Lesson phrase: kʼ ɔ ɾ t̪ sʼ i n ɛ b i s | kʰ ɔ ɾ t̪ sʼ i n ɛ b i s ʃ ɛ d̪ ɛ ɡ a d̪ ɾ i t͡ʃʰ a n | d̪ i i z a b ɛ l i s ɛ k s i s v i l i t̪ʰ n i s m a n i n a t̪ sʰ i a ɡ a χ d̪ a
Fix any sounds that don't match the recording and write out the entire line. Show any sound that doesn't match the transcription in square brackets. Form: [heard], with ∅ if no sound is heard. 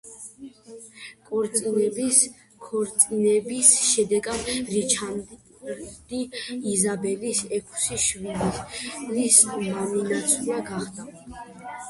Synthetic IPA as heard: kʼ ɔ ɾ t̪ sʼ i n ɛ b i s | kʰ ɔ ɾ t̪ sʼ i n ɛ b i s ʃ ɛ d̪ ɛ ɡ a d̪ ɾ i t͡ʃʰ a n | d̪ i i z a b ɛ l i s ɛ [kʰ] s i [ʃ] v i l i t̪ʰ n i s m a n i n a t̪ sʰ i a ɡ a χ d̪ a

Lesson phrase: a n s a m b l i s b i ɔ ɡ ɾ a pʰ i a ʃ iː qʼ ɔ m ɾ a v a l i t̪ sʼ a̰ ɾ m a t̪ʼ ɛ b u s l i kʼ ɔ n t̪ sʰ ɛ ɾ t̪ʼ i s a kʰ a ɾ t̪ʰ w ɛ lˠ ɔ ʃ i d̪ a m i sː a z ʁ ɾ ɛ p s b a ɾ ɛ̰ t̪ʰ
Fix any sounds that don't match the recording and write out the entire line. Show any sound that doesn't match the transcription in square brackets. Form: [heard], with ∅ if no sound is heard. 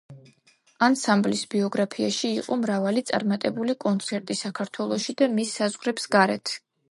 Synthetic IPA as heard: a n s a m b l i s b i ɔ ɡ ɾ a pʰ i a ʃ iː qʼ ɔ m ɾ a v a l i t̪ sʼ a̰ ɾ m a t̪ʼ ɛ b u [∅] l i kʼ ɔ n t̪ sʰ ɛ ɾ t̪ʼ i s a kʰ a ɾ t̪ʰ w ɛ lˠ ɔ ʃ i d̪ a m i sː a z ʁ ɾ ɛ p s [ɡ] a ɾ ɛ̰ t̪ʰ

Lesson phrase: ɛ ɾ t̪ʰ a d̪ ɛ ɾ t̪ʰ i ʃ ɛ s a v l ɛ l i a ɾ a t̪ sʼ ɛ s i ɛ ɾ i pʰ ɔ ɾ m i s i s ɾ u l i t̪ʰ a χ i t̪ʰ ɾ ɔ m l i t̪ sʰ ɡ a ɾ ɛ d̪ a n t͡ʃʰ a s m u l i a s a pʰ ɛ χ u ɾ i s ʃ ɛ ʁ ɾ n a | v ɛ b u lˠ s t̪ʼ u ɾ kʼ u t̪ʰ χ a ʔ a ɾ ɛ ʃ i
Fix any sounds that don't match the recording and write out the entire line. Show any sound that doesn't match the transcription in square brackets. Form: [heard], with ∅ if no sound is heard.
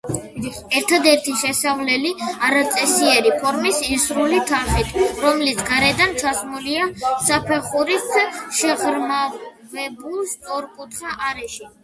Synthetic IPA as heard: ɛ ɾ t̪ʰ a d̪ ɛ ɾ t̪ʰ i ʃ ɛ s a v l ɛ l i a ɾ a t̪ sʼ ɛ s i ɛ ɾ i pʰ ɔ ɾ m i s i s ɾ u l i t̪ʰ a χ i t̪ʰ ɾ ɔ m l i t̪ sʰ ɡ a ɾ ɛ d̪ a n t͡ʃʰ a s m u l i a s a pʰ ɛ χ u ɾ i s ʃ ɛ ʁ ɾ [m] a | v ɛ b u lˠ s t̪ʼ [ɔ] ɾ kʼ u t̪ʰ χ a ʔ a ɾ ɛ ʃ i

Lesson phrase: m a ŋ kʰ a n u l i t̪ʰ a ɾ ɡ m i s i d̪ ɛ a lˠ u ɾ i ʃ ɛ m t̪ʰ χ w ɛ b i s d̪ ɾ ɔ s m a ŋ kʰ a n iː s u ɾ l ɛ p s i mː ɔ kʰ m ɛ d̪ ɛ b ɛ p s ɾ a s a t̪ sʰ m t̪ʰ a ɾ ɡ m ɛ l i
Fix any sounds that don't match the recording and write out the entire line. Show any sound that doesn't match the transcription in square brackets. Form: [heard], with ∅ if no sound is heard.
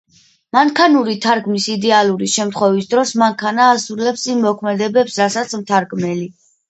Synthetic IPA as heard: m a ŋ kʰ a n u [ɾ] i t̪ʰ a ɾ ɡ m i s i d̪ ɛ a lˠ u ɾ i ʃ ɛ m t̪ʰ χ w ɛ [v] i s d̪ ɾ ɔ s m a ŋ kʰ a n [aː] s u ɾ l ɛ p s i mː ɔ kʰ m ɛ d̪ ɛ b ɛ p s ɾ a s a t̪ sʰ m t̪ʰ a ɾ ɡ m ɛ l i

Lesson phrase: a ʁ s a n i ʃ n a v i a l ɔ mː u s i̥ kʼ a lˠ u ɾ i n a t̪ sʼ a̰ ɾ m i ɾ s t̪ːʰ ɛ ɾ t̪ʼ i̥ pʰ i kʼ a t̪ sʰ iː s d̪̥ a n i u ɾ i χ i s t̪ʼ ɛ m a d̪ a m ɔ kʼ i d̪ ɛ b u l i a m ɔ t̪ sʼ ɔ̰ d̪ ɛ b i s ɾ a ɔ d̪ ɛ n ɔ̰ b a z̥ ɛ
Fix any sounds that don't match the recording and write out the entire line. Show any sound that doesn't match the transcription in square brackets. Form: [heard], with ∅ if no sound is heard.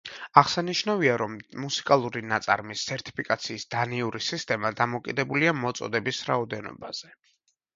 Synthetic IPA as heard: a ʁ s a n i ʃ n a v i a [ɾ] ɔ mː u s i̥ kʼ a lˠ u ɾ i n a t̪ sʼ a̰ ɾ m i [∅] s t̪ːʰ ɛ ɾ t̪ʼ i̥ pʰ i kʼ a t̪ sʰ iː s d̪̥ a n i u ɾ i [s] i s t̪ʼ ɛ m a d̪ a m ɔ kʼ i d̪ ɛ b u l i a m ɔ t̪ sʼ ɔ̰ d̪ ɛ b i s ɾ a ɔ d̪ ɛ n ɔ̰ b a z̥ ɛ

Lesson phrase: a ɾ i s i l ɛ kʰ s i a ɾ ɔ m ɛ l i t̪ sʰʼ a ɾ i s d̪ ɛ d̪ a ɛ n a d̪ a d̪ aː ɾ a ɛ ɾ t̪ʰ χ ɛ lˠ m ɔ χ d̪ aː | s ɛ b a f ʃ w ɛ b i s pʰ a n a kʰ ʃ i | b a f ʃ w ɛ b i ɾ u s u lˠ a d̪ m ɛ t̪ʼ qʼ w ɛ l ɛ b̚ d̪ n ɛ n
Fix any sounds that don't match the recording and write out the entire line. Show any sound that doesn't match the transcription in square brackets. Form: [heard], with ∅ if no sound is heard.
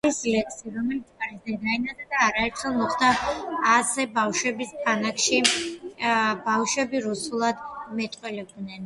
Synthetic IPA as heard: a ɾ i s i l ɛ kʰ s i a ɾ ɔ m ɛ l i t̪ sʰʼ a ɾ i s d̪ ɛ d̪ a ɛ n a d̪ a d̪ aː ɾ a ɛ ɾ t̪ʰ χ ɛ lˠ m ɔ χ d̪ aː | s ɛ b a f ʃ w ɛ b i s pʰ a n a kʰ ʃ i | b a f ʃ w ɛ b i ɾ u s u lˠ a d̪ m ɛ t̪ʼ qʼ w ɛ l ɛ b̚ d̪ n ɛ n

